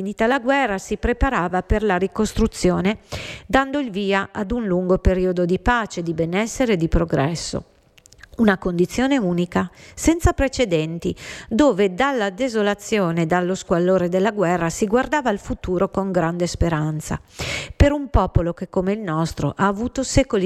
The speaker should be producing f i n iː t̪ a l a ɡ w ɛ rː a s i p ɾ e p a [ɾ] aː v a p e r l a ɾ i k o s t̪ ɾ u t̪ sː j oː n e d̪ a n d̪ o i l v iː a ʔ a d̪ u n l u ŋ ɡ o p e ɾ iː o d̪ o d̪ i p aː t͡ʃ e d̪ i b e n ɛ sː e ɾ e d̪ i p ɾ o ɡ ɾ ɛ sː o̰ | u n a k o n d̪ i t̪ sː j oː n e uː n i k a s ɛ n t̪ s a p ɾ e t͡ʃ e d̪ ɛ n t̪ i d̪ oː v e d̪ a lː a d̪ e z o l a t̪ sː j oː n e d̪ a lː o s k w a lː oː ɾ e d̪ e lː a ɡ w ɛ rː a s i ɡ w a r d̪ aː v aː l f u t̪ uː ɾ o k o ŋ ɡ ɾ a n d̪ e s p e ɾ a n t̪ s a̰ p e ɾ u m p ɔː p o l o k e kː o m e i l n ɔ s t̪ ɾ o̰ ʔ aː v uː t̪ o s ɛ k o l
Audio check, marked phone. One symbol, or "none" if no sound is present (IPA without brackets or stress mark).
ɾ